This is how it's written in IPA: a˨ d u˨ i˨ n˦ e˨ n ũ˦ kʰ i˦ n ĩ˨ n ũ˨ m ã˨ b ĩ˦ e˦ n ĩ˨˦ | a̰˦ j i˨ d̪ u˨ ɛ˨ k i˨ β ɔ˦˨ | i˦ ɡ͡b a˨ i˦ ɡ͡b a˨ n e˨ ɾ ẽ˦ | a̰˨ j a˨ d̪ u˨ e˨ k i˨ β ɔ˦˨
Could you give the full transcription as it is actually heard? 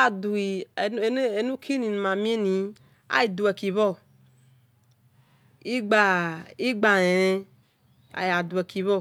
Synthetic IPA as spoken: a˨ d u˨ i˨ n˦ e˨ n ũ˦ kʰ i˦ n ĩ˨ n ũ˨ m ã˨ m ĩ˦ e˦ n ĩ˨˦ | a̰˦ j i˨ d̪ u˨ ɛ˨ k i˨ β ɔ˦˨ | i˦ ɡ͡b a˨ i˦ ɡ͡b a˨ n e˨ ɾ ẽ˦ | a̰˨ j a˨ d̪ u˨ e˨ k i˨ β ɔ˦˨